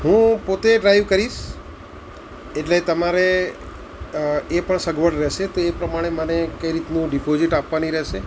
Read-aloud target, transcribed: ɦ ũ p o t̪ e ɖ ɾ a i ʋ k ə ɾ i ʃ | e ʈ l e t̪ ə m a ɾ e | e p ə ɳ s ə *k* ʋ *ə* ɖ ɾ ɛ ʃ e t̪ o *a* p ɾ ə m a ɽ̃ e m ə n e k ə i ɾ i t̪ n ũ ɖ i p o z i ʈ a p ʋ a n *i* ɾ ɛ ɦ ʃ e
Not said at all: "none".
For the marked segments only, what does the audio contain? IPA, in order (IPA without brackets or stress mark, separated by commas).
ɡ, ə, e, i